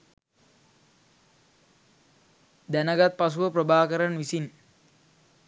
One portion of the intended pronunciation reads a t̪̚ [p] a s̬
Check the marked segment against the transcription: correct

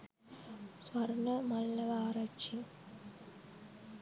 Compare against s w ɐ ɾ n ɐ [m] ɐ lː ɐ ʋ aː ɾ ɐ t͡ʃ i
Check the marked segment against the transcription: correct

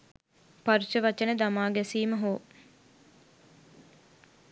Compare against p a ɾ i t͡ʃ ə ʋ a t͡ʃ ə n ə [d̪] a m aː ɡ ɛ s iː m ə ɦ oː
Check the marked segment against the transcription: correct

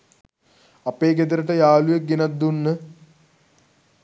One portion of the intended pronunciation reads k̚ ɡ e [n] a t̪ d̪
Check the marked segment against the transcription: correct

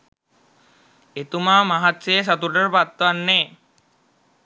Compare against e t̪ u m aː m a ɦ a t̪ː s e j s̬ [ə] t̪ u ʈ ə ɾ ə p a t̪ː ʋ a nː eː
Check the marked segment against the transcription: incorrect: a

